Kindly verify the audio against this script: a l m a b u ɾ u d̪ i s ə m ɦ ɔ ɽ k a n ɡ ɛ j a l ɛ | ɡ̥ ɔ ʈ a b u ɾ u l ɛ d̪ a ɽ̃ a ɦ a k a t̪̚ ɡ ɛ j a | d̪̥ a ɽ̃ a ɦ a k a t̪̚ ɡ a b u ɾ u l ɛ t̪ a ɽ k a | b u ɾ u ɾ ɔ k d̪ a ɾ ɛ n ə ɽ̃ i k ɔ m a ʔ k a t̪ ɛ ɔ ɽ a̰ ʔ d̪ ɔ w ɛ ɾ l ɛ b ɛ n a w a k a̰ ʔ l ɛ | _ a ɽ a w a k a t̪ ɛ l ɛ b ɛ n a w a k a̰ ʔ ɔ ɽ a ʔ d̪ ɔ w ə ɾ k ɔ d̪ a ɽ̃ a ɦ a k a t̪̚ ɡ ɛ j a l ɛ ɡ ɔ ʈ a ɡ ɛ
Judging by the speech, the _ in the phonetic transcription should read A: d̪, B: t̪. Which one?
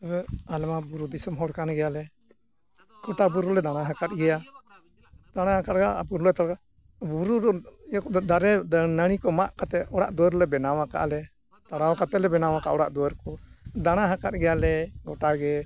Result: B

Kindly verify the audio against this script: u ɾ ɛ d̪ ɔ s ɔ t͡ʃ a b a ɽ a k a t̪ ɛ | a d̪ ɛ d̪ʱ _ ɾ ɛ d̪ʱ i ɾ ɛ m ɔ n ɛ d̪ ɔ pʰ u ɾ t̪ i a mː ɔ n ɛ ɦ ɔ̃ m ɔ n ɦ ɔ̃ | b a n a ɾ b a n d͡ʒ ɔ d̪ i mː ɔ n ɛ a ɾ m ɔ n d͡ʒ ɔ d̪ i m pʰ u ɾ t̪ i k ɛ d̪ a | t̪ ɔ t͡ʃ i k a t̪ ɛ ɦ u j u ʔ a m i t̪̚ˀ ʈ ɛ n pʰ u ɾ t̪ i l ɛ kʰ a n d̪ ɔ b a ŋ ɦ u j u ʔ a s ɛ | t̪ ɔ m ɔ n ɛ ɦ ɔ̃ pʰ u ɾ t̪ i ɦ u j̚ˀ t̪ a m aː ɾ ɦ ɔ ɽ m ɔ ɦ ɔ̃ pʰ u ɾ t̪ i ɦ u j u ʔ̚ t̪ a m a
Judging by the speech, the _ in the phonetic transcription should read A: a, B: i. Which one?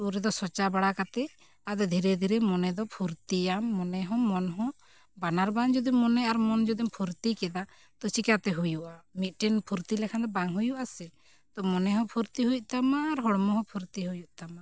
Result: B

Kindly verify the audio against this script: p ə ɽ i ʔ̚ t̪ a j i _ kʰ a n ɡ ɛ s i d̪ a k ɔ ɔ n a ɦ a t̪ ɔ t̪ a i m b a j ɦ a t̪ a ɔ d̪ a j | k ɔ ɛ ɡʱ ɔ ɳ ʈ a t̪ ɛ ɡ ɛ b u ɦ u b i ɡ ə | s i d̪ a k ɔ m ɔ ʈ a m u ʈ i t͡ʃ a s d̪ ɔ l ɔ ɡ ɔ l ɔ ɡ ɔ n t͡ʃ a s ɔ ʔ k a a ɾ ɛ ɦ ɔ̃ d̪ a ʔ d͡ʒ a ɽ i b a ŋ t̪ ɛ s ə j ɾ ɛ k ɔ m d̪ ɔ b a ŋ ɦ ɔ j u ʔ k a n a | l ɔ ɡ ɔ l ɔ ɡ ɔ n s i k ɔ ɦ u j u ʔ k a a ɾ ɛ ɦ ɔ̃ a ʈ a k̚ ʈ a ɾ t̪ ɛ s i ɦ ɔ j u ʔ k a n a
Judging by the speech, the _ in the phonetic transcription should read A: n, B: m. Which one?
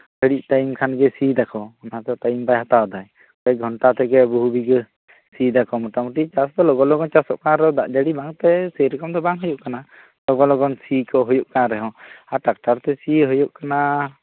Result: B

